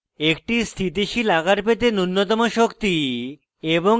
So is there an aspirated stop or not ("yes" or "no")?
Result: yes